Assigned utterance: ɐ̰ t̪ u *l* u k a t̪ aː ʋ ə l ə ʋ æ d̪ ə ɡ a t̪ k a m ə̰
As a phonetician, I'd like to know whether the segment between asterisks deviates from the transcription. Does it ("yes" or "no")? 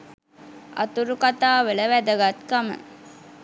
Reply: yes